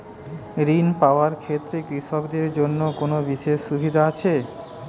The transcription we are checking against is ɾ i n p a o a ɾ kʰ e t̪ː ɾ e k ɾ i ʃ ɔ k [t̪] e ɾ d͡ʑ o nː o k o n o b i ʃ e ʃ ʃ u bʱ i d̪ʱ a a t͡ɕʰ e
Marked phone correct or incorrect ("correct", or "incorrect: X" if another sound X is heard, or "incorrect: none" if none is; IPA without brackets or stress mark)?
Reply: incorrect: d̪